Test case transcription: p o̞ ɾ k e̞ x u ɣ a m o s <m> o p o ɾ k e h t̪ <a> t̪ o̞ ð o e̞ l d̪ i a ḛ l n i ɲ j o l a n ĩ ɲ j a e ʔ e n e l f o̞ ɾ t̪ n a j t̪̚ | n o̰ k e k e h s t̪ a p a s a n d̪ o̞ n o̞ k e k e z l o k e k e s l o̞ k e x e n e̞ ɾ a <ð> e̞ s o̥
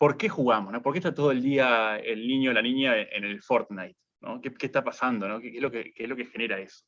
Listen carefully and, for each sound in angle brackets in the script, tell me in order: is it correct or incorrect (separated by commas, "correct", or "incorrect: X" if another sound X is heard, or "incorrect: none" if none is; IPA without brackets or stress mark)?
incorrect: n, correct, incorrect: none